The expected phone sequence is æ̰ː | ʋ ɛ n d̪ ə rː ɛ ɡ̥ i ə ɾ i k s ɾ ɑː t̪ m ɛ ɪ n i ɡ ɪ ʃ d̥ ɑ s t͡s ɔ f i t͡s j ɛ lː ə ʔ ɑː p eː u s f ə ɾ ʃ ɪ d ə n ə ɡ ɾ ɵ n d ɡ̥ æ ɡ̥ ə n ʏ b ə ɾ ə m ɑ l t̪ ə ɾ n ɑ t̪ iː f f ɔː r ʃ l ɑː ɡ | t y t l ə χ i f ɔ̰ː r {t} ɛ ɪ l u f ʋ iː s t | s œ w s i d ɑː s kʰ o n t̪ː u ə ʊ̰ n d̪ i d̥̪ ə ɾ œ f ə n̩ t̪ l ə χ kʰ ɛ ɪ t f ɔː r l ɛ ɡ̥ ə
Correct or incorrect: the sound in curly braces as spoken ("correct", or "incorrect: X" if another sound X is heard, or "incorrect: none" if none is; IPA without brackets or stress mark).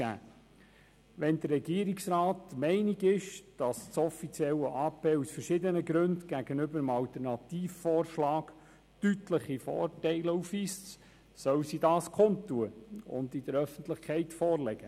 correct